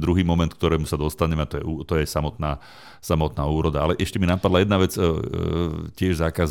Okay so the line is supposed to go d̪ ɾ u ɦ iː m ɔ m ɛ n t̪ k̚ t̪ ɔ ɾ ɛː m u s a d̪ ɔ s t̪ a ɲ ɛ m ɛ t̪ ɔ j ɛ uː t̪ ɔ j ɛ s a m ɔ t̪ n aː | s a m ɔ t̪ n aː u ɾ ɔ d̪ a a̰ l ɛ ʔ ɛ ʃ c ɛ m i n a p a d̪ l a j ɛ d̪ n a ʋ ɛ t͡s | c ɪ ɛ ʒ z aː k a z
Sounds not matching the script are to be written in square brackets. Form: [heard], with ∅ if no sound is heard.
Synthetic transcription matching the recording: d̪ ɾ u ɦ iː m ɔ m ɛ n t̪ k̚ t̪ ɔ ɾ ɛː m u s a d̪ ɔ s t̪ a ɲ ɛ m ɛ t̪ ɔ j ɛ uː t̪ ɔ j ɛ s a m ɔ t̪ n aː | s a m ɔ t̪ n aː [uː] ɾ ɔ d̪ a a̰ l ɛ ʔ ɛ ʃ c ɛ m i n a p a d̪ l a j ɛ d̪ n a ʋ ɛ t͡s | c ɪ ɛ ʒ z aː k a z